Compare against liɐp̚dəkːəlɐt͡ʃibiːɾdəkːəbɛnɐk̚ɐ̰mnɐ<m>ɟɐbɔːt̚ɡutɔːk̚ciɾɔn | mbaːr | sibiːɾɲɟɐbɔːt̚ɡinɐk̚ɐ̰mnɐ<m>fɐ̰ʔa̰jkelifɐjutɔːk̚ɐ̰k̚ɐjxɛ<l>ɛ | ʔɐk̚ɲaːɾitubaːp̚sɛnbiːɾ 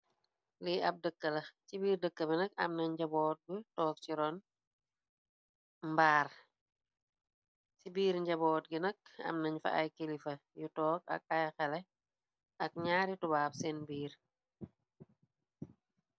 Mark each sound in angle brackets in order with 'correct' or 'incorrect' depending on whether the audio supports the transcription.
incorrect, incorrect, correct

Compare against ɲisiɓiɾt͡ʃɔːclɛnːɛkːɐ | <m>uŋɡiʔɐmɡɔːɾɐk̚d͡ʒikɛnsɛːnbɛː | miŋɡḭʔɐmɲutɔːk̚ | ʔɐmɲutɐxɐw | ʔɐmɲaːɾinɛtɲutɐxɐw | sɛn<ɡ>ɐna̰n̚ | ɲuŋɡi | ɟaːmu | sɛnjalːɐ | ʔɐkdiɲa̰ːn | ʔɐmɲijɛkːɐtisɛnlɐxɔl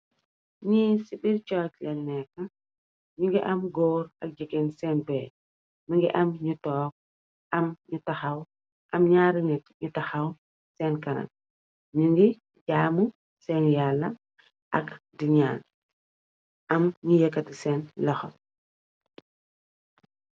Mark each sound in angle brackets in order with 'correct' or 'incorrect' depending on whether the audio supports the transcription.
incorrect, incorrect

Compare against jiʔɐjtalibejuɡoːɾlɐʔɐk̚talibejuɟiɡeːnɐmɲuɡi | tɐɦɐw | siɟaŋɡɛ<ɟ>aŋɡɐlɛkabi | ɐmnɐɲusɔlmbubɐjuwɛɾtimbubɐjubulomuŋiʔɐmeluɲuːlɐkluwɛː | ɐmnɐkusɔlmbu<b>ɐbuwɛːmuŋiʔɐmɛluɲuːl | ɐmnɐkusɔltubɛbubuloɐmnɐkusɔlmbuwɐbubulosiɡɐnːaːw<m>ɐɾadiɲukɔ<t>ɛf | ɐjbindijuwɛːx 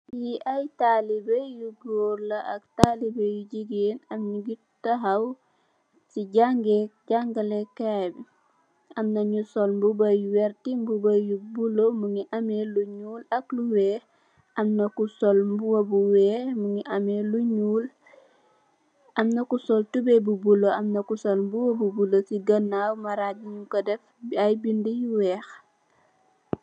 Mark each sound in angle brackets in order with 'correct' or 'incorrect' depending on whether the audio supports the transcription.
correct, incorrect, correct, incorrect

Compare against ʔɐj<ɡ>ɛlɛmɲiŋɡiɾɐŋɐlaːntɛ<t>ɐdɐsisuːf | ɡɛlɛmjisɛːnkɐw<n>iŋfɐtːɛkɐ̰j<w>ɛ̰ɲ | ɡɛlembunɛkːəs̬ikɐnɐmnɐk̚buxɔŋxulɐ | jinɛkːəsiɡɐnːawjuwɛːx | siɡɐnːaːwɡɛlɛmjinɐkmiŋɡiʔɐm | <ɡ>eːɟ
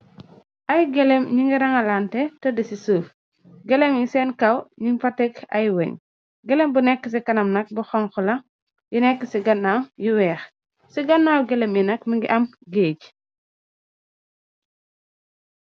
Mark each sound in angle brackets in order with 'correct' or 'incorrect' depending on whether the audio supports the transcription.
correct, correct, incorrect, correct, correct

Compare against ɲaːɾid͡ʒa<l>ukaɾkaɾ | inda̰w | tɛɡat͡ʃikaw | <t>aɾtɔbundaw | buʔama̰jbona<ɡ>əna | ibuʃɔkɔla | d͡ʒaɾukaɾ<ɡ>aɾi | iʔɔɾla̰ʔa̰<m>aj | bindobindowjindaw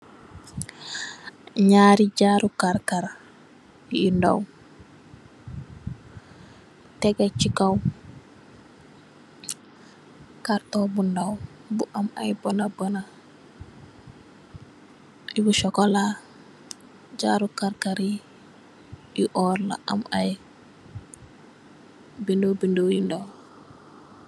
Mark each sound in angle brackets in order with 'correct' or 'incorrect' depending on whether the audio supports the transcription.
incorrect, incorrect, incorrect, incorrect, correct

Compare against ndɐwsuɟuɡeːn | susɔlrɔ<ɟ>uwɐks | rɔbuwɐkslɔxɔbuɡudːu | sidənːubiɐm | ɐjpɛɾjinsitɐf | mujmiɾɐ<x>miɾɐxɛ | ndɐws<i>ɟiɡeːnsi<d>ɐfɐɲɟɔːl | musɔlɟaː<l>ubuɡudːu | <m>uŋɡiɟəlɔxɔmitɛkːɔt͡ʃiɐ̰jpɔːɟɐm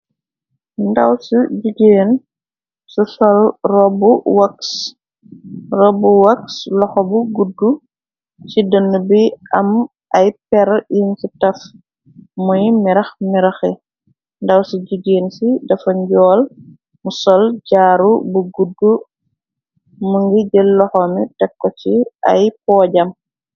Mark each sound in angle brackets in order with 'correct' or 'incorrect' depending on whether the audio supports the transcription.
incorrect, correct, correct, correct, incorrect, correct

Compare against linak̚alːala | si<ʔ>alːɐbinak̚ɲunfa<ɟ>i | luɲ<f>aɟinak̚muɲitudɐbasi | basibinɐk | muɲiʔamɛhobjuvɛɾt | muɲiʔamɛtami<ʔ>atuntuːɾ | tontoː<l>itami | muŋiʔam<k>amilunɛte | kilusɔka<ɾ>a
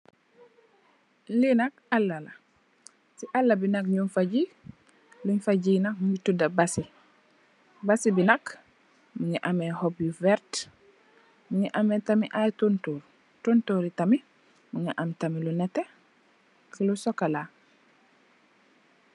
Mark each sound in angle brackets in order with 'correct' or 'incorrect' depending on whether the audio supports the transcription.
correct, correct, correct, correct, incorrect, incorrect, incorrect

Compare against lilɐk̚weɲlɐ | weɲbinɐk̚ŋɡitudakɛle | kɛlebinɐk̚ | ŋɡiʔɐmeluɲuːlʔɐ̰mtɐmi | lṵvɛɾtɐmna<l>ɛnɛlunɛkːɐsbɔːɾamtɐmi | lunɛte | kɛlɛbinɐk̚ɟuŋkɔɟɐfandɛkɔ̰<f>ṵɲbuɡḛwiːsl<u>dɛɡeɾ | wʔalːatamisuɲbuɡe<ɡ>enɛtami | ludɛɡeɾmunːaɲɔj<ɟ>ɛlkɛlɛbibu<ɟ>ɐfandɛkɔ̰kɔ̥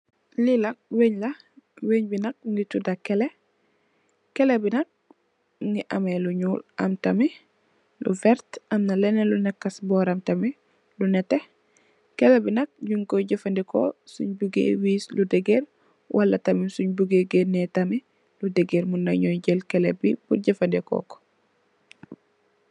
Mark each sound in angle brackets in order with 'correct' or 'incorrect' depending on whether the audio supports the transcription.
correct, incorrect, correct, correct, correct, correct

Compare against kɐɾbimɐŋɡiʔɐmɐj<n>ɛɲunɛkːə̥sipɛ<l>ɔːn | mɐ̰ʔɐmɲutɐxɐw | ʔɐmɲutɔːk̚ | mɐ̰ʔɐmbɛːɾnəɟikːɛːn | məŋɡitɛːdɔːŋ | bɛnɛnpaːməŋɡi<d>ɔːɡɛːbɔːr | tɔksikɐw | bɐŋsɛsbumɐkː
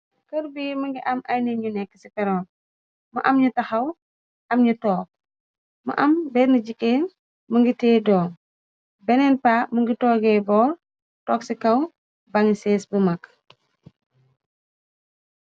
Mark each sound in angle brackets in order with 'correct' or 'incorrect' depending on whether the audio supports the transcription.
correct, incorrect, incorrect

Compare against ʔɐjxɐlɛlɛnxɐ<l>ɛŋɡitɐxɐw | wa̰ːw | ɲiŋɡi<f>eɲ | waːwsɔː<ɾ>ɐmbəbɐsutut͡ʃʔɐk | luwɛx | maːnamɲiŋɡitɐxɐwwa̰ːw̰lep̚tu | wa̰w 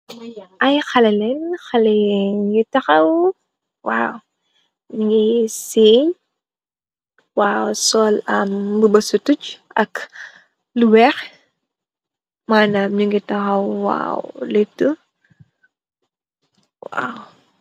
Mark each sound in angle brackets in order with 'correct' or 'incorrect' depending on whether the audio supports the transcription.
correct, incorrect, incorrect

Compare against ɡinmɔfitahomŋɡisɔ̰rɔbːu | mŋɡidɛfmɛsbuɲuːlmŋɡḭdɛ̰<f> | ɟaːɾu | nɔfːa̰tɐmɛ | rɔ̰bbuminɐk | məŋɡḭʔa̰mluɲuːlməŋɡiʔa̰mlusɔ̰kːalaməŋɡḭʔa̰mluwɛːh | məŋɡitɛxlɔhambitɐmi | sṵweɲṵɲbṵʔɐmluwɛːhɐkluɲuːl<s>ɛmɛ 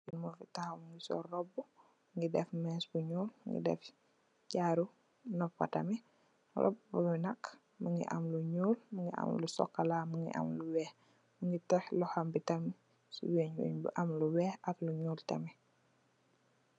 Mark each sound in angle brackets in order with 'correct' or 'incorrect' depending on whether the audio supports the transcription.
correct, incorrect

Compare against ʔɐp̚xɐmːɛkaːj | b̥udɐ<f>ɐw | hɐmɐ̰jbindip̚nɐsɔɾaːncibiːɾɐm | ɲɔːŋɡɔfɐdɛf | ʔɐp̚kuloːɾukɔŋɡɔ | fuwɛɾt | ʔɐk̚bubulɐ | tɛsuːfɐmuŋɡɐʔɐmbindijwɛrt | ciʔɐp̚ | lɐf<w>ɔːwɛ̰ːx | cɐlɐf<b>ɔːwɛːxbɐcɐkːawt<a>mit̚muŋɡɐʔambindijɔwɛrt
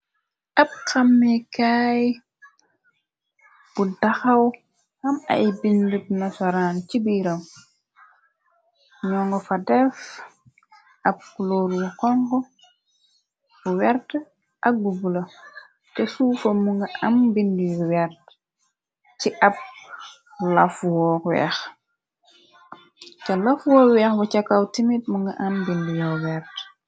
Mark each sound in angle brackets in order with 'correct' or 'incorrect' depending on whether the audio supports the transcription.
incorrect, correct, incorrect, incorrect

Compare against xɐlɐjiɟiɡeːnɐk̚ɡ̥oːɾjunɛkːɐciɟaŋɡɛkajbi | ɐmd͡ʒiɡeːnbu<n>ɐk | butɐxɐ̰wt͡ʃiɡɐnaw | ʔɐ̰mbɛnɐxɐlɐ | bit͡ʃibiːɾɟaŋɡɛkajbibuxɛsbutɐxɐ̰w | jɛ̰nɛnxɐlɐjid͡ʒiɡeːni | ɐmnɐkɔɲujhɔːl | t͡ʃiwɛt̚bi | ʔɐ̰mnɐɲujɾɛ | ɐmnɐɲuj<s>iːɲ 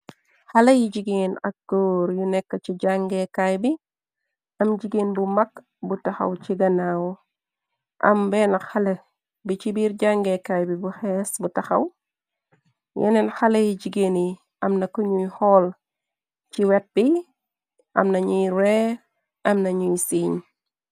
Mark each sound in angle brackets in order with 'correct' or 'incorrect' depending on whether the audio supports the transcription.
incorrect, correct

